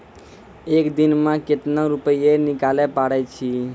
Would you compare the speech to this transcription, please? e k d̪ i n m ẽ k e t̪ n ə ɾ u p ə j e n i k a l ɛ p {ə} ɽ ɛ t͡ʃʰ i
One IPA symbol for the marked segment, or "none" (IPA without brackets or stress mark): a